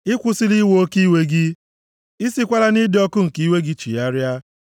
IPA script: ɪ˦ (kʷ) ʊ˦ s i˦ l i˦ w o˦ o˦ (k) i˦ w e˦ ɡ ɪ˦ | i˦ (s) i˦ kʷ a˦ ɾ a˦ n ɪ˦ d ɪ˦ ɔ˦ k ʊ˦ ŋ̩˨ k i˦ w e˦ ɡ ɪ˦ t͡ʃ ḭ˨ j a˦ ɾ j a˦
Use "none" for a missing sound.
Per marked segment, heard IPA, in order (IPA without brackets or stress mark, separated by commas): kʷ, k, s